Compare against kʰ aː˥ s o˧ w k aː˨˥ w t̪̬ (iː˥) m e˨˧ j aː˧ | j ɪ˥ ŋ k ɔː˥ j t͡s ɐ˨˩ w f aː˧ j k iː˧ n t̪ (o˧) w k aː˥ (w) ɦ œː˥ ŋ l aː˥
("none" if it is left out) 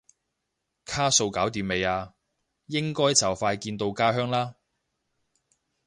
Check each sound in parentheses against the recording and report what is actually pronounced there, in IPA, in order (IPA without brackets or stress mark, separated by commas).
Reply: iː˨˧, o˧, none